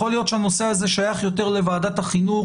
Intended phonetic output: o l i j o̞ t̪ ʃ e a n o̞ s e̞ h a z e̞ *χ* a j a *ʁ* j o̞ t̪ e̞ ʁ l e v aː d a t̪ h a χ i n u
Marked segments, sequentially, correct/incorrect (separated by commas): incorrect, incorrect